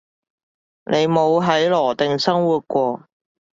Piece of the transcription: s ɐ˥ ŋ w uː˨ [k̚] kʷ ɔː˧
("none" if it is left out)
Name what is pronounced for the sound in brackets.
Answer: t̚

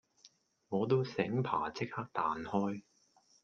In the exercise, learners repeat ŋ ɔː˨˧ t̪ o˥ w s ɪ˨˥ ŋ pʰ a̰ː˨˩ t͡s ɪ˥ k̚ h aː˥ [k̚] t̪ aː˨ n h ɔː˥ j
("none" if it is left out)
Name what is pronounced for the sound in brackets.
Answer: k̚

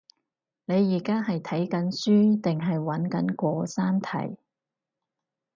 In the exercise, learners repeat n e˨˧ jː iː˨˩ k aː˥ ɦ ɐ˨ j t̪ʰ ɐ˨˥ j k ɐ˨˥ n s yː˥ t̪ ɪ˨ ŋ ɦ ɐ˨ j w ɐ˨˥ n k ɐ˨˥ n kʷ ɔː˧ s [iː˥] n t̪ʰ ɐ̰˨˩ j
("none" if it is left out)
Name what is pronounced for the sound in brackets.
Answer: aː˥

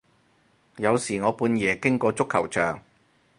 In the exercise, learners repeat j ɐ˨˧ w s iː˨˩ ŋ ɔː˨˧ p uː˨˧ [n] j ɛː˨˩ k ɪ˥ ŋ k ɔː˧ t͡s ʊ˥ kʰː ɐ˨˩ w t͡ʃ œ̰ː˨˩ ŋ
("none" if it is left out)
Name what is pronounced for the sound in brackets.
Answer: n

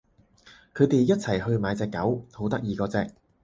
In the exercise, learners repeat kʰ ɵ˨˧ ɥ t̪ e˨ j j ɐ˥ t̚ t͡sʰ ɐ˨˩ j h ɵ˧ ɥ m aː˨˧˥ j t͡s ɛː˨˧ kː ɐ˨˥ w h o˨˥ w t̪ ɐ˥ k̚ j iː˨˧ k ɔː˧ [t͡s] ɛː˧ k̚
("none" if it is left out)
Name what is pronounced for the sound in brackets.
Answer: t͡s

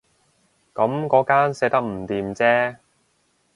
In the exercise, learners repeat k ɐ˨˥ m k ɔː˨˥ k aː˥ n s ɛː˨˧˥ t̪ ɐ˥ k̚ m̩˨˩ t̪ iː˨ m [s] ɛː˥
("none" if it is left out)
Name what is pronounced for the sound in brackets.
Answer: t͡s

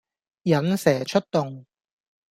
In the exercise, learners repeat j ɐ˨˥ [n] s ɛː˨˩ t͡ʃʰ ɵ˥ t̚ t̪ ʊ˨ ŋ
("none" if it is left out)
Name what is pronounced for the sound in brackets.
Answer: n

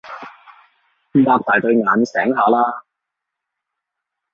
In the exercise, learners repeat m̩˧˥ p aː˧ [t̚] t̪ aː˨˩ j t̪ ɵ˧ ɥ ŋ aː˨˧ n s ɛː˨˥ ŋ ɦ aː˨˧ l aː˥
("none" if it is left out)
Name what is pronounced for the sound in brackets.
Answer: k̚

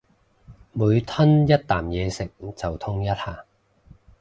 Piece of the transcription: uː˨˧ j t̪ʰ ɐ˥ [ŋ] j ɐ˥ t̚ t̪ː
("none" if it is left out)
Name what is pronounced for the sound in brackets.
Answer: n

